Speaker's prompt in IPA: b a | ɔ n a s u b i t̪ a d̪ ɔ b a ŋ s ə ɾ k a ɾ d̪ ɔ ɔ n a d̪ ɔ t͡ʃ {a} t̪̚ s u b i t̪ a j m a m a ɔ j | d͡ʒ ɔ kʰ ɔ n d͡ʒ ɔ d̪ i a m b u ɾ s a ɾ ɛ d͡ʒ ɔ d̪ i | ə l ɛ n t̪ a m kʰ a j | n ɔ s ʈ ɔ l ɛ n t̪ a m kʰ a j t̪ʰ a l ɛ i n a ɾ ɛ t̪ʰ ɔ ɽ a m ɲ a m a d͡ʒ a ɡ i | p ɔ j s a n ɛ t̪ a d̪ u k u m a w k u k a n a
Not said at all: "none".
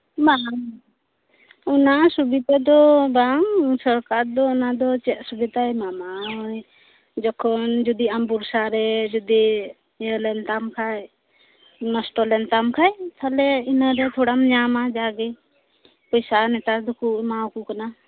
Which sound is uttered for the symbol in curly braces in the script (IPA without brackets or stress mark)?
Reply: ɛ